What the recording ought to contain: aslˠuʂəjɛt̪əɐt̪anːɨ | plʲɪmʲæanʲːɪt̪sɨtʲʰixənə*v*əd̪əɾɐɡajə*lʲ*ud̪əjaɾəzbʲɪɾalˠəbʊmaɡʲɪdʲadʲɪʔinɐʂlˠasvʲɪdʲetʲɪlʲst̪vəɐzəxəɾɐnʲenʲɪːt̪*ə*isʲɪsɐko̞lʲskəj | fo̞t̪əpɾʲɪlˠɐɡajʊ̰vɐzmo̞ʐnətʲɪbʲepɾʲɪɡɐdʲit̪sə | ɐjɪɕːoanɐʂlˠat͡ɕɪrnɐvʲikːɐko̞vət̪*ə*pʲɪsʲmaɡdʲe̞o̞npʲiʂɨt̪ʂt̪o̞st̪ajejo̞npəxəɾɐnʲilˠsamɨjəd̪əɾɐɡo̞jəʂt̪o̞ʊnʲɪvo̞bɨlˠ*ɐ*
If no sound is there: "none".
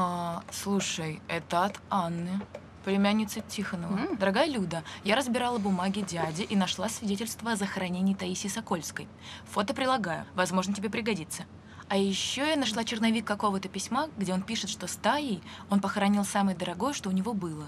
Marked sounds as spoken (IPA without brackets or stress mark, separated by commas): v, lʲ, ɐ, ə, ə